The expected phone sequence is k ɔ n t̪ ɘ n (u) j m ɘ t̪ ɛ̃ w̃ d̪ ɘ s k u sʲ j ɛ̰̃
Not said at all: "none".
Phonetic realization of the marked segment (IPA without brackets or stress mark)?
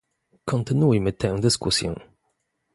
u